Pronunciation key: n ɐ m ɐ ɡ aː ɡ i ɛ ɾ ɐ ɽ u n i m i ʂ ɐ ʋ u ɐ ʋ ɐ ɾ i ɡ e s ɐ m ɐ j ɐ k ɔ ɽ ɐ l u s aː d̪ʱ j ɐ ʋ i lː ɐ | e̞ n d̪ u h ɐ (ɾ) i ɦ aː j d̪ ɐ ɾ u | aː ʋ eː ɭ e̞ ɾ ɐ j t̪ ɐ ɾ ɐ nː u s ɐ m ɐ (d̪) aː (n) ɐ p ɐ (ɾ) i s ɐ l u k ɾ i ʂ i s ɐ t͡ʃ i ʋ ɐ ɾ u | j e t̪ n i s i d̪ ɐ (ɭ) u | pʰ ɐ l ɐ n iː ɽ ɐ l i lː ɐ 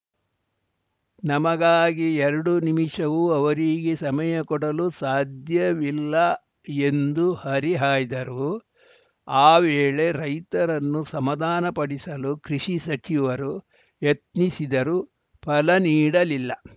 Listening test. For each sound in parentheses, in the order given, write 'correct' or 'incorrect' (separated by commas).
correct, correct, correct, incorrect, incorrect